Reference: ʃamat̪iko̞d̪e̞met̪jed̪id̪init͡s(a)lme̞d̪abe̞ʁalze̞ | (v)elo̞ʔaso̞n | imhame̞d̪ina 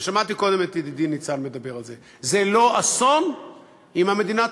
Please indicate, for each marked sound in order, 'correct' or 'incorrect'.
correct, incorrect: z

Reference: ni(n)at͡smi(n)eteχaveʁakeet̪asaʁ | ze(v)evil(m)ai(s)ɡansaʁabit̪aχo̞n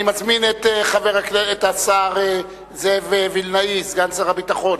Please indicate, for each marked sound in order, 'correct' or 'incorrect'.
incorrect: m, correct, correct, incorrect: n, correct

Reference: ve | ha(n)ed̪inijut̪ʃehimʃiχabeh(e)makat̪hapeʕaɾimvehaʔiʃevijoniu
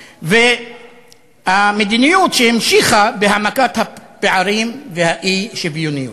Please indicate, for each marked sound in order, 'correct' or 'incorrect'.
incorrect: m, incorrect: a

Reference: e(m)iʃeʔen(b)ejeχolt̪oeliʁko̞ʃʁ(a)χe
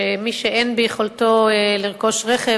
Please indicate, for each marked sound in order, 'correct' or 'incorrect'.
correct, correct, incorrect: e

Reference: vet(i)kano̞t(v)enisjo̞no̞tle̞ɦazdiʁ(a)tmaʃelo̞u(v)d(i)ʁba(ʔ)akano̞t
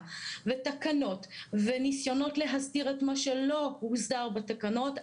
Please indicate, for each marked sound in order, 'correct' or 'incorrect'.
incorrect: a, correct, incorrect: e, incorrect: z, incorrect: a, incorrect: t

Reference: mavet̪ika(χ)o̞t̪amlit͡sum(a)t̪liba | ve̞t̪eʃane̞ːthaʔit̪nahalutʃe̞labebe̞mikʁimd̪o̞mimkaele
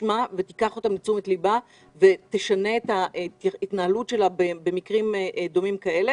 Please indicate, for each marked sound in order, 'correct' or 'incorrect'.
correct, incorrect: e

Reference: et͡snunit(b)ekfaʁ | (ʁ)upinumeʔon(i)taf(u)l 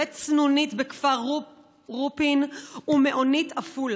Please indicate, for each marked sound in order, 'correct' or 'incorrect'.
correct, correct, correct, correct

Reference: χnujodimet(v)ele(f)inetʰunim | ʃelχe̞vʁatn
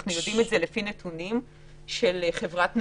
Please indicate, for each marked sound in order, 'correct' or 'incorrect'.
incorrect: z, correct

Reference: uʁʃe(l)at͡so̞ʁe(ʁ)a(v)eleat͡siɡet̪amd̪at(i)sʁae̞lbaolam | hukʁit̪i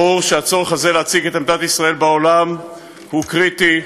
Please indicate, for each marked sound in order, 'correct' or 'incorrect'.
incorrect: none, incorrect: χ, incorrect: z, correct

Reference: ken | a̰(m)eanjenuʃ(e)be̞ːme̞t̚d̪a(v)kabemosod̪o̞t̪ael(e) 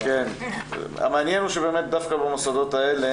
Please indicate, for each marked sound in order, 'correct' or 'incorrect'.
correct, correct, incorrect: f, correct

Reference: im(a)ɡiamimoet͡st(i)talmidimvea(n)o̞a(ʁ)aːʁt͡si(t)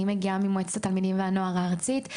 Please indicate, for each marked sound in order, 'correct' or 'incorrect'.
incorrect: e, incorrect: a, correct, correct, correct

